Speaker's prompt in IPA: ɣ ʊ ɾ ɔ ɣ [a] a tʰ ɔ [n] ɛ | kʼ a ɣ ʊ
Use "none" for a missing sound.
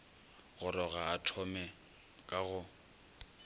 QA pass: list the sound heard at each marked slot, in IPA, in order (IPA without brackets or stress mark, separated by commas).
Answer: a, m